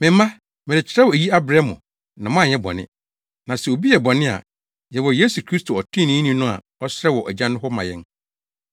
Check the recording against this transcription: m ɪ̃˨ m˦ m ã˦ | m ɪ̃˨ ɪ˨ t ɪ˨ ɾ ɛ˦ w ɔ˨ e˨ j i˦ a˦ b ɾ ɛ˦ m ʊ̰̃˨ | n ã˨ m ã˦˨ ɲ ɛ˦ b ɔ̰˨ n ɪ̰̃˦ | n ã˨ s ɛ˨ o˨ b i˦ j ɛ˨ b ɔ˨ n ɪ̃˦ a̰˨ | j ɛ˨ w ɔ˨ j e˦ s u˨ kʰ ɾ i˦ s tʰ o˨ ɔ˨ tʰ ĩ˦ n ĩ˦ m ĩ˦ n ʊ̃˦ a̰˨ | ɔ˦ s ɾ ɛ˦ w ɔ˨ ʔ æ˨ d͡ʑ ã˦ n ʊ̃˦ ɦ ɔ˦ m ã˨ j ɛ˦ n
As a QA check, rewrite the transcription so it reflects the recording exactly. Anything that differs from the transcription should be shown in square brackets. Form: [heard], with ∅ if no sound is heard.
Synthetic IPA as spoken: m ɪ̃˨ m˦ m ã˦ | m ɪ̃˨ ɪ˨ [t͡ɕʰ] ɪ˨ ɾ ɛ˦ w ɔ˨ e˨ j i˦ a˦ b ɾ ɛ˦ m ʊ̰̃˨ | n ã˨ m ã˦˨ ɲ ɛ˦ b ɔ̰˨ n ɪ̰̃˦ | n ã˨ s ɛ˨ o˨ b i˦ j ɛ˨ b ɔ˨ n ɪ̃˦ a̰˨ | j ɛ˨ w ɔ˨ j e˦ s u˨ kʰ ɾ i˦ s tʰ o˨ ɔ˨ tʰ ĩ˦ n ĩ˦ [n] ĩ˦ n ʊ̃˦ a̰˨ | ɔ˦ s ɾ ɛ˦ w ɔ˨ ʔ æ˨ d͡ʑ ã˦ n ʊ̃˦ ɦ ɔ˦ m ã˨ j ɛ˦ n

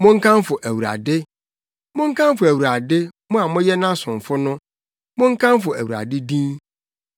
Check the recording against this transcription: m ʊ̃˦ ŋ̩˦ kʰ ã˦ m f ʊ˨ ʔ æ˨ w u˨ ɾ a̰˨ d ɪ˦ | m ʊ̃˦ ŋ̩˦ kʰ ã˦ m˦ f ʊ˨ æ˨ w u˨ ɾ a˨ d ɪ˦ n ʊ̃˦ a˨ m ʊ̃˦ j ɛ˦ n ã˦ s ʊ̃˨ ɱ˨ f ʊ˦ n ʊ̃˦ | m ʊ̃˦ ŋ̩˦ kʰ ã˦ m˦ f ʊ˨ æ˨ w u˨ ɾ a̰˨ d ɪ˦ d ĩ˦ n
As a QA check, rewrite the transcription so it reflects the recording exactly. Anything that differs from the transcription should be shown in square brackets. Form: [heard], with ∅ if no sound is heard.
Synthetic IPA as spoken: m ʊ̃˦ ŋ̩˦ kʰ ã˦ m f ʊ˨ ʔ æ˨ w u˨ ɾ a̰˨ d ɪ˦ | m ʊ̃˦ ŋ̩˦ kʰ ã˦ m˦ f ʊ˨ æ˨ w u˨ ɾ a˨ d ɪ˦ [m] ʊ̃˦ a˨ m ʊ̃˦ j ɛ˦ n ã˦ s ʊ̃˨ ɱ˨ f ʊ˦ n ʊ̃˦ | m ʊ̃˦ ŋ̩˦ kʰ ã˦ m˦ f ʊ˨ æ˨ w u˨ ɾ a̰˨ d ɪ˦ d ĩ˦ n

